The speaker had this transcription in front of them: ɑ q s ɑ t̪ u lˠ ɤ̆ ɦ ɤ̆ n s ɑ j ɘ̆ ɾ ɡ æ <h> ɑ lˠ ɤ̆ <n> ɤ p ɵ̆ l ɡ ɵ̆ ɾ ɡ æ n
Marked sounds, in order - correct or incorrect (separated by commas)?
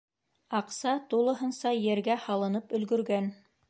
correct, correct